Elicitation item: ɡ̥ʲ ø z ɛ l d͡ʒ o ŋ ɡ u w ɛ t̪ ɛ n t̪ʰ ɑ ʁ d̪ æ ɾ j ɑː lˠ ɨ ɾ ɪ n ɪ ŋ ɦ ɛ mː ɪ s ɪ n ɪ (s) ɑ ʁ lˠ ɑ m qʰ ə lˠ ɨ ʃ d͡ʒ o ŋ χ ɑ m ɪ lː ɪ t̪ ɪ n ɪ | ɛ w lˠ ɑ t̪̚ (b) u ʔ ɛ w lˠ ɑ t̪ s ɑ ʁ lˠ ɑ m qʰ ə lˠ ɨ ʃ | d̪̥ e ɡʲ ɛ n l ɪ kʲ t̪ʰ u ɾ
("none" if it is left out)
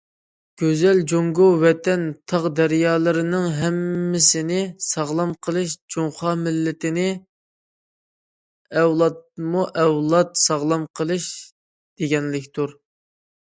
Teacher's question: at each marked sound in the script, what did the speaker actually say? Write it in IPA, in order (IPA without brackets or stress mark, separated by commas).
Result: s, m